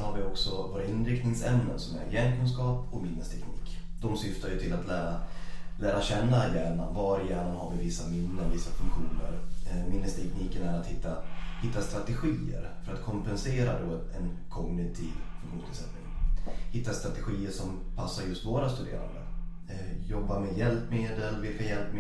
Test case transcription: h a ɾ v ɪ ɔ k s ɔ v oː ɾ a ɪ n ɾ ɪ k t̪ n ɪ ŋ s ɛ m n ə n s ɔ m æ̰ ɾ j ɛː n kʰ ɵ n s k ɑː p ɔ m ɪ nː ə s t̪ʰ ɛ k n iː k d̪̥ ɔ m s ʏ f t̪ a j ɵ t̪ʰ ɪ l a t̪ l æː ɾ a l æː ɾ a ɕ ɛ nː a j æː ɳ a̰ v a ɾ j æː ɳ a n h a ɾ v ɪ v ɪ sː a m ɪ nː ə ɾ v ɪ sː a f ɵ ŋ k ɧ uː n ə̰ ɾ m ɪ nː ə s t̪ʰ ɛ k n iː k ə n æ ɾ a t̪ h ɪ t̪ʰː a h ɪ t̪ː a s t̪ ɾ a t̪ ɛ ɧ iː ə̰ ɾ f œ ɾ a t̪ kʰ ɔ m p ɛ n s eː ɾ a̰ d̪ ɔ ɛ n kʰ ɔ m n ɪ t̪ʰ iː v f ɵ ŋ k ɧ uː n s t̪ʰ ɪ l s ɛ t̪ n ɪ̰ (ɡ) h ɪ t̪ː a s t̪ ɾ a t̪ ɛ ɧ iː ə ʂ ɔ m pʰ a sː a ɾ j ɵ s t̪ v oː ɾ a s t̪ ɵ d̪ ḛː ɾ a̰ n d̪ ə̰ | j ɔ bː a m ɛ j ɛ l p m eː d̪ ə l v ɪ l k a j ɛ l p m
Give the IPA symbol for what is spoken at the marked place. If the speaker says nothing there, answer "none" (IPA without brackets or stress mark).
ŋ